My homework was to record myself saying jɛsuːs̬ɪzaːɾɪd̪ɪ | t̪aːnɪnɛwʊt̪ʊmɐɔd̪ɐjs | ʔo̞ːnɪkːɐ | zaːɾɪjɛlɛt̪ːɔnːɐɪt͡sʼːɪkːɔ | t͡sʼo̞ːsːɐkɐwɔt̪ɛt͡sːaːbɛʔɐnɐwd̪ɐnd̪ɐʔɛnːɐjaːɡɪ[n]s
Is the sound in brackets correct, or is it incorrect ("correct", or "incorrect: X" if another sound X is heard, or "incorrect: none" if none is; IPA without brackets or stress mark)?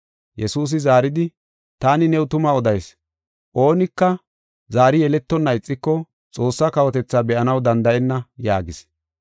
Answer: incorrect: none